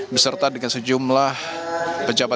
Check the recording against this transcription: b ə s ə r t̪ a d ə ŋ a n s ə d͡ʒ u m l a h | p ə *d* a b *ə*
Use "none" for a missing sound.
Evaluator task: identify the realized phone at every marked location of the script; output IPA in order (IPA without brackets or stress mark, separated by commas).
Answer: d͡ʒ, a